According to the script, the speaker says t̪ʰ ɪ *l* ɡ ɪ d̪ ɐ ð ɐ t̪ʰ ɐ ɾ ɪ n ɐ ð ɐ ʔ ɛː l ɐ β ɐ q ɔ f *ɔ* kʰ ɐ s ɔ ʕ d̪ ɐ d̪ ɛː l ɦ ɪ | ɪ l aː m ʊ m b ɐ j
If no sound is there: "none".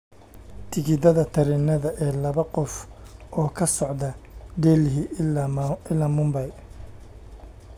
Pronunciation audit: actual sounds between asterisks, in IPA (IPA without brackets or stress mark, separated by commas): none, ɔː